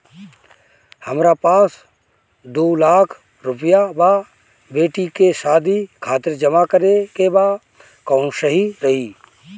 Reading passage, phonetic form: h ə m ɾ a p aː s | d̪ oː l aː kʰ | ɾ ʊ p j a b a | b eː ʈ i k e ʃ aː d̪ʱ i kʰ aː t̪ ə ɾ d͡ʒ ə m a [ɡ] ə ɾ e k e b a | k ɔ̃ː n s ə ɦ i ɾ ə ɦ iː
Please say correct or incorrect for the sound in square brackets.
incorrect: k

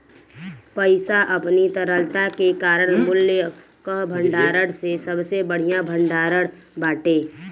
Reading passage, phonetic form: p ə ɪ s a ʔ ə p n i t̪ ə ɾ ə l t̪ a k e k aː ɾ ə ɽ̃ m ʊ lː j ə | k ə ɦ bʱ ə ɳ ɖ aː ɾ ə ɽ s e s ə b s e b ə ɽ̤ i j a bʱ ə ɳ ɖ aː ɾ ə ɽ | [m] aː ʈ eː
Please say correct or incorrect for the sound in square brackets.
incorrect: b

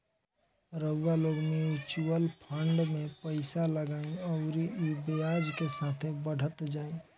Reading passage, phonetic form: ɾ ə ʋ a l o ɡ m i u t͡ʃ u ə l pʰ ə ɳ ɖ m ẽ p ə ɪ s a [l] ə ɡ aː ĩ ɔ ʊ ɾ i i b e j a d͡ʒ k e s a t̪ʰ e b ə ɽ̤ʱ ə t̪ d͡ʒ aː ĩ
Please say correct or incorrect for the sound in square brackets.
correct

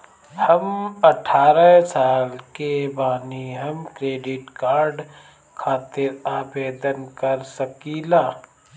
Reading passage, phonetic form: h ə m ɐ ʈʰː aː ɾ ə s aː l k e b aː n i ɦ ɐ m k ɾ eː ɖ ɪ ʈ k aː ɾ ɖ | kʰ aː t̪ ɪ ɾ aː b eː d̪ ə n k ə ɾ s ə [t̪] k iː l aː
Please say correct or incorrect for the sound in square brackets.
incorrect: none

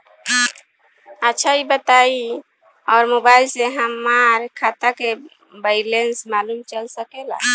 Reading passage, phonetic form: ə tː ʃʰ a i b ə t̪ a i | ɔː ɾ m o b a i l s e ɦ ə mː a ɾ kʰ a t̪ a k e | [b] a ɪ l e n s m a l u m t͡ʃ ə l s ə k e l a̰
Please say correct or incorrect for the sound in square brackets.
correct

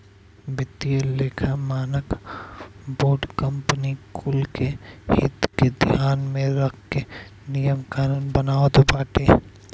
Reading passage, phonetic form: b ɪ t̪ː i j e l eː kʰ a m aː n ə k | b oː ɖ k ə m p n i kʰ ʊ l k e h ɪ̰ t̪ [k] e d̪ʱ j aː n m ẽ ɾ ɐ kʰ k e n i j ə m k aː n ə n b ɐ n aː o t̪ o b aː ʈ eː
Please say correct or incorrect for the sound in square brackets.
correct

